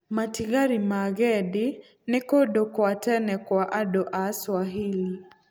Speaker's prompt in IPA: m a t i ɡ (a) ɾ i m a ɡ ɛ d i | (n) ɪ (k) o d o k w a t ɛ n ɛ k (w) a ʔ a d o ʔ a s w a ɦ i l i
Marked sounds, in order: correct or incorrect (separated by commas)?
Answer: correct, correct, correct, correct